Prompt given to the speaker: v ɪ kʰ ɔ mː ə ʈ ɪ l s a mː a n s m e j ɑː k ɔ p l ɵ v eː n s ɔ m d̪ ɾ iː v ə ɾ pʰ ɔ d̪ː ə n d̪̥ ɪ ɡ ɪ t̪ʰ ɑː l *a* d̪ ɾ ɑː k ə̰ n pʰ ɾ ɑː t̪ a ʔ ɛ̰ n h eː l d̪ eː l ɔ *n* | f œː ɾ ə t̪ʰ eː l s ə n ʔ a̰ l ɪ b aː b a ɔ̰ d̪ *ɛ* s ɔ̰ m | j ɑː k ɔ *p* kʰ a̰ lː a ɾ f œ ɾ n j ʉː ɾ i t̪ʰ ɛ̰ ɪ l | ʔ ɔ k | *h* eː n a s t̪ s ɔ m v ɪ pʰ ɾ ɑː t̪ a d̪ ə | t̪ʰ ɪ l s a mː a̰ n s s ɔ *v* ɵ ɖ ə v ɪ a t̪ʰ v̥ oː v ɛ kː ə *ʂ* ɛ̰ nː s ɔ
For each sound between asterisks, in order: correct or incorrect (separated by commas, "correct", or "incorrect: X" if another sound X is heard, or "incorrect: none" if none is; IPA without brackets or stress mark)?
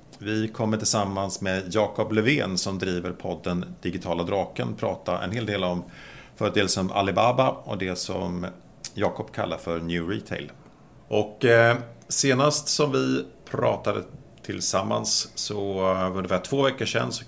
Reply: correct, incorrect: m, correct, correct, incorrect: s, correct, correct